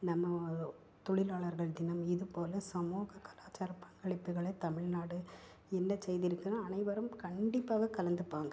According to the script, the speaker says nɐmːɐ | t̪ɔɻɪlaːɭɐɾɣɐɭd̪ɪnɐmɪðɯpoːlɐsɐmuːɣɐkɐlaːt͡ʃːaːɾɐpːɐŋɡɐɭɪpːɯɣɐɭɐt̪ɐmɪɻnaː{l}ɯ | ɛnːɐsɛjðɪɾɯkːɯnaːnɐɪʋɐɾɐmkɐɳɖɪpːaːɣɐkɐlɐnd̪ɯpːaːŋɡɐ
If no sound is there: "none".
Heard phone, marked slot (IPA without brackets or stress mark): ɽ